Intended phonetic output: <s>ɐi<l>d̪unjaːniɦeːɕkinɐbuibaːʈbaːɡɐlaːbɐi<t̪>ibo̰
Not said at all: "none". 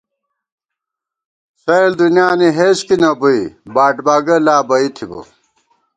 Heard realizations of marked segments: s, l, t̪ʰ

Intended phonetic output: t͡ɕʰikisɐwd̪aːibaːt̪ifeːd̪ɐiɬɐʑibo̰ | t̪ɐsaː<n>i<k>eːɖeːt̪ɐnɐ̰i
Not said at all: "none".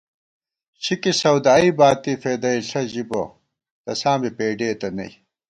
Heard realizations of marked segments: m, p

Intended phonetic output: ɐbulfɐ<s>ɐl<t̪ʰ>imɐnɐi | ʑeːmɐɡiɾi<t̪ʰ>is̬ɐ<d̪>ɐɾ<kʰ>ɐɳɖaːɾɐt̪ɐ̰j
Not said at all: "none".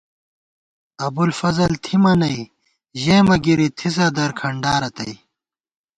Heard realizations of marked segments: z, t̪ʰ, t̪ʰ, d̪, kʰ

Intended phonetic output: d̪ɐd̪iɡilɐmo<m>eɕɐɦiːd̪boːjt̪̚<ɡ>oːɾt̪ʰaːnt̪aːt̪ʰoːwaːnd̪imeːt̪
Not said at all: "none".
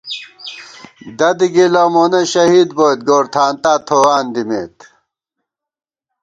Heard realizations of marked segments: n, ɡ

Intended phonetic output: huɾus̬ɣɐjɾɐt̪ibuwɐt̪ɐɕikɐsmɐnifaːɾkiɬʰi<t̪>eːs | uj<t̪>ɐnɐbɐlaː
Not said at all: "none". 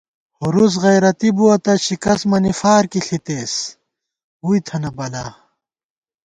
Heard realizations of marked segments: t̪, t̪ʰ

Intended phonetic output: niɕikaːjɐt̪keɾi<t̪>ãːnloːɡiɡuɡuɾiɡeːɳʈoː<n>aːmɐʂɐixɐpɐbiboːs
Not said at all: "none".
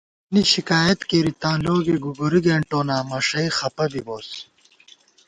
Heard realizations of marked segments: t̪, n

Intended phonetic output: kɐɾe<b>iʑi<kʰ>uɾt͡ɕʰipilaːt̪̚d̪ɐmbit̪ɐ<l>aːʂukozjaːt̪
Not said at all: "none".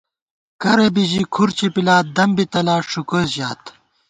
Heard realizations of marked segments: b, kʰ, l

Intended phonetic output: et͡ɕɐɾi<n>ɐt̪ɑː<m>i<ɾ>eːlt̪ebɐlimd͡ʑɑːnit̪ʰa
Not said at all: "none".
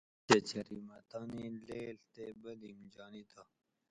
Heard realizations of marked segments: m, n, l

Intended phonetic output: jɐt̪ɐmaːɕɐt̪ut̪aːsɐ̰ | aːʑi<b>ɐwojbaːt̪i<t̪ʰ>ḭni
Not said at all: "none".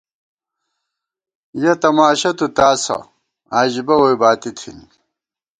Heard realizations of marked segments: b, t̪ʰ

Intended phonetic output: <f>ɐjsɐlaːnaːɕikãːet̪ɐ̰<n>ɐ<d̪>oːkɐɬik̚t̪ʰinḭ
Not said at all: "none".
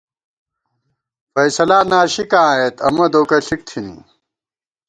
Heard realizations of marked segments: f, m, d̪

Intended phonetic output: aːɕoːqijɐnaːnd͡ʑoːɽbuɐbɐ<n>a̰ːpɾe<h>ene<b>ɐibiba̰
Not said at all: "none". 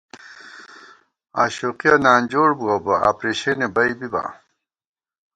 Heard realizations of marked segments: none, ɕ, b

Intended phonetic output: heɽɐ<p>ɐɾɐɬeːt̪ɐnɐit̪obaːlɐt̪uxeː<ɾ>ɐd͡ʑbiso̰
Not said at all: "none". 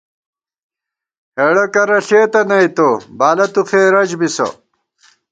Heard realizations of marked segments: k, ɾ

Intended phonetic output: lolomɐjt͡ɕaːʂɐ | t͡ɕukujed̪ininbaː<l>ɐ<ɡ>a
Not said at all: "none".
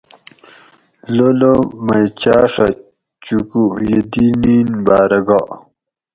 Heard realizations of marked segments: ɾ, ɡ

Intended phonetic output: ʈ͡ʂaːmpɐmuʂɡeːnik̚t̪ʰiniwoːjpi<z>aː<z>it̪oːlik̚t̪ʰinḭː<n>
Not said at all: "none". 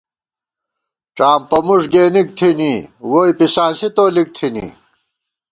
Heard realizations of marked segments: s, s, none

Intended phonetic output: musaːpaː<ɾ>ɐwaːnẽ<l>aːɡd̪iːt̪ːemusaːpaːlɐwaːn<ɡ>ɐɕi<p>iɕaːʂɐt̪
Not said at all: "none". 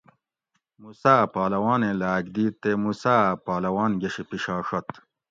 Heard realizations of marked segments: l, l, ɡ, p

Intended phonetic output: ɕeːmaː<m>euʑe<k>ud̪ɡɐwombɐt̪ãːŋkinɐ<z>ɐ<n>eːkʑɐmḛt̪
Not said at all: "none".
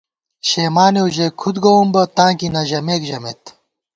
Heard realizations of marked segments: n, kʰ, ʑ, m

